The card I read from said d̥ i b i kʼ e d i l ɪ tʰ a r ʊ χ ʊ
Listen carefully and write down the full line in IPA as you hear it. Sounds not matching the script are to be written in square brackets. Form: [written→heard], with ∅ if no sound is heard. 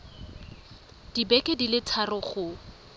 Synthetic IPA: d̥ i b [i→ɛ] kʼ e d i l ɪ tʰ a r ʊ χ ʊ